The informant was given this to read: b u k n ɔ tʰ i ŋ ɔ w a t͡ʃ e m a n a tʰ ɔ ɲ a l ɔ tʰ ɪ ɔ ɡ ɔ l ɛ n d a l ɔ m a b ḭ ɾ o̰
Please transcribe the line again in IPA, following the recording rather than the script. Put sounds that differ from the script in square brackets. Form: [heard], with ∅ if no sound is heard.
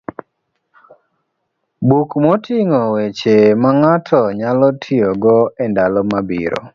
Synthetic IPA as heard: b u k [m] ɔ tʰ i ŋ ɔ w [e] t͡ʃ e m a [ŋ] a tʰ ɔ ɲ a l ɔ tʰ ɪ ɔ ɡ ɔ [∅] ɛ n d a l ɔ m a b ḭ ɾ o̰